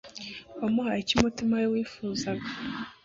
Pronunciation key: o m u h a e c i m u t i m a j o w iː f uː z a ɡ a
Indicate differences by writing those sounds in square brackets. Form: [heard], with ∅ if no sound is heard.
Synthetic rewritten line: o m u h a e c i m u t i m a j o w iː f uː z a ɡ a